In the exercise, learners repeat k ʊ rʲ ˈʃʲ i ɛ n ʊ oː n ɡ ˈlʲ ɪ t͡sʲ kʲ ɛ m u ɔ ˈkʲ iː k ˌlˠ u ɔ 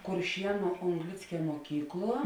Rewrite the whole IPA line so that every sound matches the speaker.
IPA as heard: k ʊ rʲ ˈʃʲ i ɛ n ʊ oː ŋ ɡ ˈlʲ ɪ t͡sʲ kʲ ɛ m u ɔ ˈkʲ iː k ˌlˠ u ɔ